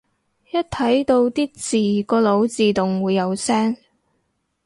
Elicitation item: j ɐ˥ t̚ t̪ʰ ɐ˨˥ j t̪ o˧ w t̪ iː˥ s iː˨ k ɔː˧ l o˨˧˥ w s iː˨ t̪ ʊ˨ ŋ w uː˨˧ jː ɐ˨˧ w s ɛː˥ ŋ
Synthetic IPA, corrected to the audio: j ɐ˥ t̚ t̪ʰ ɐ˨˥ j t̪ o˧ w t̪ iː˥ t͡s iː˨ k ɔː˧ l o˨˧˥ w t͡s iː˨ t̪ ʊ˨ ŋ w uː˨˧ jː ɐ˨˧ w s ɛː˥ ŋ